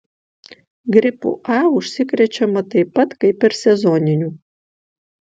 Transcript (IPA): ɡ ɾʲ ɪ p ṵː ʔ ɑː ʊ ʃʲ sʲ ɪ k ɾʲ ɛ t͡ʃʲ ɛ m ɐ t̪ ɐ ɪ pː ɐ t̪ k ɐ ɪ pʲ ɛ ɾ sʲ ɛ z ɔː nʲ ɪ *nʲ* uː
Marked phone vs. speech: correct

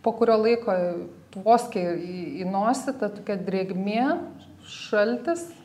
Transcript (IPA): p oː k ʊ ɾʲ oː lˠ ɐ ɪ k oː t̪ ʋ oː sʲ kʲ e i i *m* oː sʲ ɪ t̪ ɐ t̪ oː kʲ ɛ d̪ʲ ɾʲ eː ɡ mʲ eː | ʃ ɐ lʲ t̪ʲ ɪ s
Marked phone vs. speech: incorrect: n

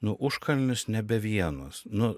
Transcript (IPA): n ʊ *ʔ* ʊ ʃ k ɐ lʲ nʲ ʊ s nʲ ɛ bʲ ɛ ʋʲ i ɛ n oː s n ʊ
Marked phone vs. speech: correct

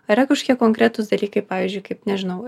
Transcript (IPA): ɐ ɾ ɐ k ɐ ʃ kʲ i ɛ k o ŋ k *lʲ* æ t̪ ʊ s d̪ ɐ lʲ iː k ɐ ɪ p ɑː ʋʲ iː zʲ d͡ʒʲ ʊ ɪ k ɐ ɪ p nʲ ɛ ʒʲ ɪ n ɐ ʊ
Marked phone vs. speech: incorrect: ɾʲ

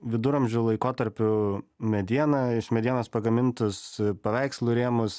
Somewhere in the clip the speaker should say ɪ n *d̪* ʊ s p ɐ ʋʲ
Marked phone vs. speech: incorrect: t̪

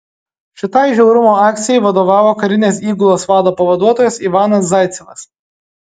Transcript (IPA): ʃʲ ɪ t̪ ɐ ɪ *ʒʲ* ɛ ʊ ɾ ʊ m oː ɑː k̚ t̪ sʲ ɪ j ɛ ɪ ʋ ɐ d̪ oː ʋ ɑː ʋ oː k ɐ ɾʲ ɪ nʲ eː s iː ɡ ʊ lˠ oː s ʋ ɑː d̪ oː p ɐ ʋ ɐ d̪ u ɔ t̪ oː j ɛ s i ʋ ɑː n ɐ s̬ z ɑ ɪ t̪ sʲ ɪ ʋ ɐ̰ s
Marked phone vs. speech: correct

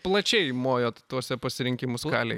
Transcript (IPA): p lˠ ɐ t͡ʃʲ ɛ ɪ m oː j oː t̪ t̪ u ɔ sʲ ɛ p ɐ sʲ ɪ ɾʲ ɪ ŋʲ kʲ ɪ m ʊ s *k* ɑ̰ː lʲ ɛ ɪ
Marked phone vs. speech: correct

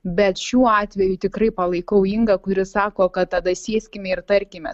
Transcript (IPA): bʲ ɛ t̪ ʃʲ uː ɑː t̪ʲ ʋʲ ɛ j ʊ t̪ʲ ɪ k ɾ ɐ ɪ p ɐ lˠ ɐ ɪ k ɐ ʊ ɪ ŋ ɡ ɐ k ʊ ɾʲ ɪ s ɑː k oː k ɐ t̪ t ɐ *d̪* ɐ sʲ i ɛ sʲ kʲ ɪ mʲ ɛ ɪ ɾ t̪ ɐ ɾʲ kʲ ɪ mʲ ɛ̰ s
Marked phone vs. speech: correct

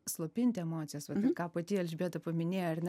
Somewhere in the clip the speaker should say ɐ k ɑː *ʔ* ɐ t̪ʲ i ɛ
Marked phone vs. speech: incorrect: p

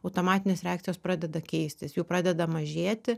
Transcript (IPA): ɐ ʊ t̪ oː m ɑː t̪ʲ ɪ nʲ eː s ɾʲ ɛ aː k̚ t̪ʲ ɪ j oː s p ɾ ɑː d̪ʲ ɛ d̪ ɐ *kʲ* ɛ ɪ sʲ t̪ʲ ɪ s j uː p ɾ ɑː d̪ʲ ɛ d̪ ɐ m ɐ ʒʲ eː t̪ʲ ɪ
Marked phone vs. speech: correct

